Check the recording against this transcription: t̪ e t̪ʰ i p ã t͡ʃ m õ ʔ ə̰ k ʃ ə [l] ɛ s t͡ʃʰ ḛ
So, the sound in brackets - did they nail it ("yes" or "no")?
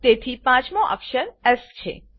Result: no